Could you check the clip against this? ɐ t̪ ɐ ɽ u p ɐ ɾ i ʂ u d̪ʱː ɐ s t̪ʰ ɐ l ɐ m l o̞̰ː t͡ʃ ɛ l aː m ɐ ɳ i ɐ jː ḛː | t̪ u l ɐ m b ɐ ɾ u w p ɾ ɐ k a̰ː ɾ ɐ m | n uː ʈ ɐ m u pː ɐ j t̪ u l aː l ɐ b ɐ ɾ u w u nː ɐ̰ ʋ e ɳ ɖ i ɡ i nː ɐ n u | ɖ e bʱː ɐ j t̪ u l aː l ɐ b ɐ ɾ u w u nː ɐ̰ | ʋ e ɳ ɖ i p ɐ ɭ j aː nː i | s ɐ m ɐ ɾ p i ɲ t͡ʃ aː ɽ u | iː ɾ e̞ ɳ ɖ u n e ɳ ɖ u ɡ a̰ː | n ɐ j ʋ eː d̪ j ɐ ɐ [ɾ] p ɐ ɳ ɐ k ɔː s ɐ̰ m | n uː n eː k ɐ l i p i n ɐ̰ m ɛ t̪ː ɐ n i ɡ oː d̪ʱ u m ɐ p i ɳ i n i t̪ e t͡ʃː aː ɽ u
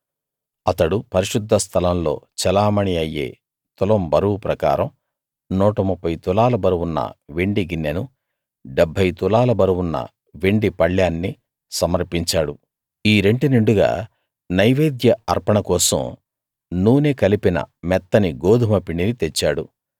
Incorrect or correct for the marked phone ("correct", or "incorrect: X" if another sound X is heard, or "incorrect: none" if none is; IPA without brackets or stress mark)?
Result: correct